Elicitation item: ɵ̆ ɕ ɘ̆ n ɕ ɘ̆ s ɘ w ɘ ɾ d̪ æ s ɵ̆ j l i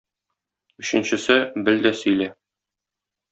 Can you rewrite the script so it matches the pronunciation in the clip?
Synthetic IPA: ɵ̆ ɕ ɘ̆ n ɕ ɘ̆ s ɘ b ɘ l d̪ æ s ɵ̆ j l æ

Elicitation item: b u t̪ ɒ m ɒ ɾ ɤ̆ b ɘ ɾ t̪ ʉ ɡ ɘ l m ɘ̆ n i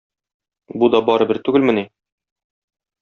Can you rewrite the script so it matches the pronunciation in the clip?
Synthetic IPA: b u d̪ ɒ b ɒ ɾ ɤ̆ b ɘ ɾ t̪ ʉ ɡ ɘ l m ɘ̆ n i

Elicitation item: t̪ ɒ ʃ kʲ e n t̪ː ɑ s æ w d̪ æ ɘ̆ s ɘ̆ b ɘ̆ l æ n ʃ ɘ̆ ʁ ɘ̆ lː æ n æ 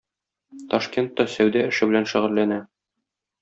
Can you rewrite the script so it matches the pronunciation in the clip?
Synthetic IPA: t̪ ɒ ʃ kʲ e n t̪ː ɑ s æ w d̪ æ ɘ̆ ʃ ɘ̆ b ɘ̆ l æ n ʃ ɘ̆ ʁ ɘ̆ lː æ n æ

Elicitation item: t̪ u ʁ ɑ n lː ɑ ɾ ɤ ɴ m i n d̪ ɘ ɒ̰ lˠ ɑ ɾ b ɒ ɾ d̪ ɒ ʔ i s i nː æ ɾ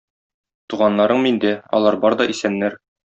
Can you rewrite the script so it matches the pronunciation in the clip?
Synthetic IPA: t̪ u ʁ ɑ n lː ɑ ɾ ɤ ɴ m i n d̪ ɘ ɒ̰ lˠ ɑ ɾ b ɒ ɾ d̪ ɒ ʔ i s æ nː æ ɾ

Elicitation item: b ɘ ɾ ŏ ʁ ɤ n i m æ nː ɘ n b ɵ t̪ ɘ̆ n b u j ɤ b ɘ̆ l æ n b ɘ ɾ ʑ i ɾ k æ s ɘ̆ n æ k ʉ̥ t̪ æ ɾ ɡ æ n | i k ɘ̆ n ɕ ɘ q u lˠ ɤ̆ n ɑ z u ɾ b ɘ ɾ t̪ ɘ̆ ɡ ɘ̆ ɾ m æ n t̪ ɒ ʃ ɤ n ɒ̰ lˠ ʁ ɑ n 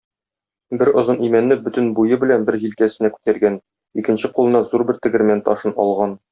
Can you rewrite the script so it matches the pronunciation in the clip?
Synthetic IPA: b ɘ ɾ ŏ z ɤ n i m æ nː ɘ b ɵ t̪ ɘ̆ n b u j ɤ b ɘ̆ l æ n b ɘ ɾ ʑ i l k æ s ɘ̆ n æ k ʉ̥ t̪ æ ɾ ɡ æ n | i k ɘ̆ n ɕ ɘ q u lˠ ɤ̆ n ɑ z u ɾ b ɘ ɾ t̪ ɘ̆ ɡ ɘ̆ ɾ m æ n t̪ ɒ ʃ ɤ n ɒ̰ lˠ ʁ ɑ n

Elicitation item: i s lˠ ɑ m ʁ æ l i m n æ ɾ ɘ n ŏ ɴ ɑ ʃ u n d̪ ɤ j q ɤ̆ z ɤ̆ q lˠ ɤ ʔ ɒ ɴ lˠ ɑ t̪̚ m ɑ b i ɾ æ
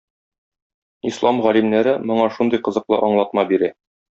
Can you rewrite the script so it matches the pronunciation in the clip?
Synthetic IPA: i s lˠ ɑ m ʁ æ l i m n æ ɾ ɘ m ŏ ɴ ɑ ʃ u n d̪ ɤ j q ɤ̆ z ɤ̆ q lˠ ɤ ʔ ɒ ɴ lˠ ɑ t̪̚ m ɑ b i ɾ æ

